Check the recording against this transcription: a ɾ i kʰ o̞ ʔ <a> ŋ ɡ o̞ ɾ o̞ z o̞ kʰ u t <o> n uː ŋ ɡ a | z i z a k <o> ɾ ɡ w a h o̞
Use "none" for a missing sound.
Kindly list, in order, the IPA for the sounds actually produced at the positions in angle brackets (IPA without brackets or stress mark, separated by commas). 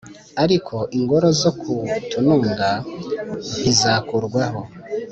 i, u, u